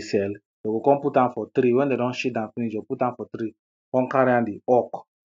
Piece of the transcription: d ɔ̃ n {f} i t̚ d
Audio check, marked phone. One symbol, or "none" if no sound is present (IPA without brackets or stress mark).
ʃ